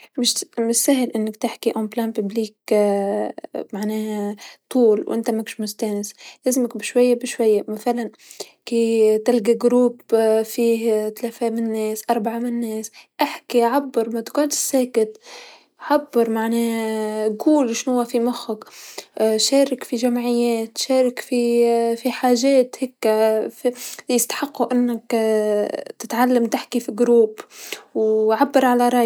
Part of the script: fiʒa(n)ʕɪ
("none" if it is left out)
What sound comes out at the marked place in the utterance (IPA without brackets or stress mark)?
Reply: m